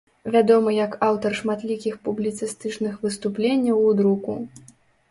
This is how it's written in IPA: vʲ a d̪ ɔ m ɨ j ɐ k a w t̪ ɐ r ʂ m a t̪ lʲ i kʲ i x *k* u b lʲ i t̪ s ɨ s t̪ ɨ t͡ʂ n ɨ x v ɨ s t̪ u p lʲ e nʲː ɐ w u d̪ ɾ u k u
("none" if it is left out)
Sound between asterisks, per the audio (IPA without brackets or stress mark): p